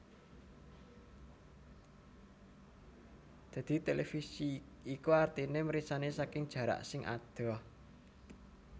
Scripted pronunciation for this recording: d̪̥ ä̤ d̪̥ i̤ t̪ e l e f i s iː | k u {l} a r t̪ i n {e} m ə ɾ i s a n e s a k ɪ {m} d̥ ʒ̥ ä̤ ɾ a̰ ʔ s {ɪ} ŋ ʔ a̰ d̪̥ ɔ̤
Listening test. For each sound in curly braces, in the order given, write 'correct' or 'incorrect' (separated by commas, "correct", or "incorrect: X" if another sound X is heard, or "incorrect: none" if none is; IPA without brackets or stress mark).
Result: incorrect: none, correct, incorrect: ŋ, correct